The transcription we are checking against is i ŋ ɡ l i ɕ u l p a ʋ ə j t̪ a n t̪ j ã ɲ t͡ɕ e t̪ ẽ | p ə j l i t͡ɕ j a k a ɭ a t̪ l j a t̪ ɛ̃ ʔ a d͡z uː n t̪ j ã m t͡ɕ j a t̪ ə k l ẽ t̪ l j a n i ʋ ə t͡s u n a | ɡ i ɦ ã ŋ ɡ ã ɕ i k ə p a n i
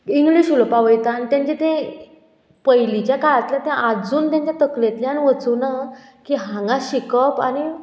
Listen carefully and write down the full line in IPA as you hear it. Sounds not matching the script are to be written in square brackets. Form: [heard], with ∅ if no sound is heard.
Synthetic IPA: i ŋ ɡ l i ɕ u l p a ʋ ə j t̪ a n t̪ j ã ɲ t͡ɕ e t̪ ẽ | p ə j l i t͡ɕ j a k a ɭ a t̪ l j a t̪ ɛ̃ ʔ a d͡z uː n t̪ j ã [ɲ] t͡ɕ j a t̪ ə k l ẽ t̪ l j a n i ʋ ə t͡s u n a | [k] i ɦ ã ŋ ɡ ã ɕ i k ə p a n i

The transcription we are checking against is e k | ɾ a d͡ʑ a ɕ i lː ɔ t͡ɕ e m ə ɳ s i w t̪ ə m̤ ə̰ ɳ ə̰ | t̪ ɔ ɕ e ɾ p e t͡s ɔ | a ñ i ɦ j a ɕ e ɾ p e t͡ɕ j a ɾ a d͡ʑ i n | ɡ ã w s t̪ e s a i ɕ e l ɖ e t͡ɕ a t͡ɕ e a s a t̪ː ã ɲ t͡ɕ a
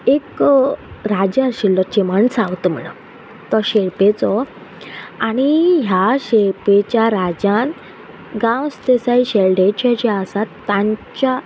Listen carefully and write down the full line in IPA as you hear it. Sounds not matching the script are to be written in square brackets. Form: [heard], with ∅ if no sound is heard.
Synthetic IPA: e k | ɾ a d͡ʑ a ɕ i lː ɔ t͡ɕ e m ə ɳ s [a] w t̪ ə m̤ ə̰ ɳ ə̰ | t̪ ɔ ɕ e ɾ p e t͡s ɔ | a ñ i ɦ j a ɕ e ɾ p e t͡ɕ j a ɾ a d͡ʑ [a] n | ɡ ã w s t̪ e s a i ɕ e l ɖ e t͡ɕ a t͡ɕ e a s a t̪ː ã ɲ t͡ɕ a

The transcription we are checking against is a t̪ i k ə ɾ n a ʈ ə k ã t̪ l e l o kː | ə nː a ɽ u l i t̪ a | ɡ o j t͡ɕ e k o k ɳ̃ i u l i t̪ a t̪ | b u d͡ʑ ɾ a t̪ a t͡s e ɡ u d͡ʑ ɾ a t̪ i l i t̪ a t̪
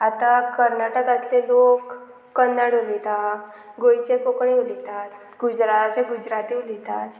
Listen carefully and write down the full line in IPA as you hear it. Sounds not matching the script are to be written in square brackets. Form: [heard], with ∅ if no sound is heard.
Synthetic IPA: a t̪ [a] k ə ɾ n a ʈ ə k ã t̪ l e l o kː | ə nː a ɽ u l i t̪ a | ɡ o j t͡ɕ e k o k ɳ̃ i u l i t̪ a t̪ | [ɡ] u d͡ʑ ɾ a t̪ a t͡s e ɡ u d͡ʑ ɾ a t̪ i l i t̪ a t̪

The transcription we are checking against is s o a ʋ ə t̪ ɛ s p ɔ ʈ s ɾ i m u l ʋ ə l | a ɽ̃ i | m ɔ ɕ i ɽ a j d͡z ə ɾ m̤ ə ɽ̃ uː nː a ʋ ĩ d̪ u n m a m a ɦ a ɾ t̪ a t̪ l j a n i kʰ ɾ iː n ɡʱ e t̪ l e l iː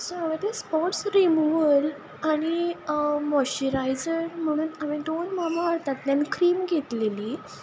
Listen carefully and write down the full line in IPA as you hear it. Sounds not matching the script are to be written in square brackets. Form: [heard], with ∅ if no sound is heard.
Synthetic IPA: s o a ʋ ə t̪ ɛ s p ɔ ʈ s ɾ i m u [∅] ʋ ə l | a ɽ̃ i | m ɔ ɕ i [ɾ] a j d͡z ə ɾ m̤ ə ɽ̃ uː [n] a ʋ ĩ d̪ [o] n m a m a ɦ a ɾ t̪ a t̪ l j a n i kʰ ɾ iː [m] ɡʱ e t̪ l e l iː

